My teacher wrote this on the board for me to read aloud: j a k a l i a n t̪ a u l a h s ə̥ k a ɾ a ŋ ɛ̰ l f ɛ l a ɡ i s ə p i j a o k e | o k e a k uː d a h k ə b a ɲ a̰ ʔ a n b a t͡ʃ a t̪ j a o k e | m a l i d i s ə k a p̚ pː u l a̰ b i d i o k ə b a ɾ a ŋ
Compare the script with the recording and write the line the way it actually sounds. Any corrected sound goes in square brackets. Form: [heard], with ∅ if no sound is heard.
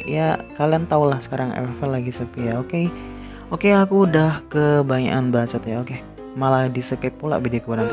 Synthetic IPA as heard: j a k a l i a n t̪ a u l a h s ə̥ k a ɾ a ŋ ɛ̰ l f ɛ l a ɡ i s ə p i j a o k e | o k e a k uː d a h k ə b a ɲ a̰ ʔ a n b a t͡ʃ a t̪ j a o k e | m a l [a] d i s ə k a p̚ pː u l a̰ b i d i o k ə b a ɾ a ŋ